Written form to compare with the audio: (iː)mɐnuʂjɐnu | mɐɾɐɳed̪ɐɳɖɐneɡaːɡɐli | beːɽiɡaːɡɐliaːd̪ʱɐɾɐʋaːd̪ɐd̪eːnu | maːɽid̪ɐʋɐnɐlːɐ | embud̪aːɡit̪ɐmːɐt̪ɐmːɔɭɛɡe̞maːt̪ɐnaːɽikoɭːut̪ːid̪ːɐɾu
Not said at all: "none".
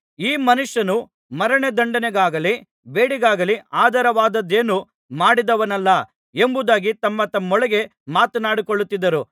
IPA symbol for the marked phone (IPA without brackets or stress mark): iː